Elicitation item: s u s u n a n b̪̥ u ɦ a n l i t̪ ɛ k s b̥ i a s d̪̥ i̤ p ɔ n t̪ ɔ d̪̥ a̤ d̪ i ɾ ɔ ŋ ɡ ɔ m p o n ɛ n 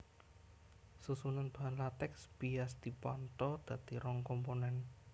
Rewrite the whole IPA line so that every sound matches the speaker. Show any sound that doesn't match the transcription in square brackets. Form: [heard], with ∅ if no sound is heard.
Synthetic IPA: s u s u n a n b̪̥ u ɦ a n l [a] t̪ ɛ k s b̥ i a s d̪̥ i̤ p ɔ n t̪ ɔ d̪̥ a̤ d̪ i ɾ ɔ ŋ [k] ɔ m p o n ɛ n